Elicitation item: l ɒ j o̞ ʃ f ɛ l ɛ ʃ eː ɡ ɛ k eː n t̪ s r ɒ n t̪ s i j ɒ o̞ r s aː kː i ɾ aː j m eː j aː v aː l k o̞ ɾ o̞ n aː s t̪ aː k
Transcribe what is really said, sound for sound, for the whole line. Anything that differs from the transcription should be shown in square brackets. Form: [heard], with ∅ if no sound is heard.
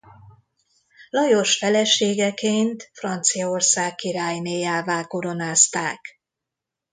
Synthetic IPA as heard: l ɒ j o̞ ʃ f ɛ l ɛ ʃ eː ɡ ɛ k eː n t̪ [f] r ɒ n t̪ s i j ɒ o̞ r s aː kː i ɾ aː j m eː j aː v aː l k o̞ ɾ o̞ n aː s t̪ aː k